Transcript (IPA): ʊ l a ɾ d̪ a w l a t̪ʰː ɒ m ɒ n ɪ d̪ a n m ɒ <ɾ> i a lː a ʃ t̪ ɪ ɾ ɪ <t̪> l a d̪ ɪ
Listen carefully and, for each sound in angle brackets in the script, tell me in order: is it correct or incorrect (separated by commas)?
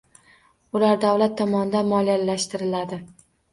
incorrect, incorrect